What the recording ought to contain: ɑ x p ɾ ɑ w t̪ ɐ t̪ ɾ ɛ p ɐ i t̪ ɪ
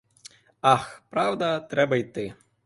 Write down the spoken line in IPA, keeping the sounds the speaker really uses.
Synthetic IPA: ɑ x p ɾ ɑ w d̪ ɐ t̪ ɾ ɛ b ɐ j t̪ ɪ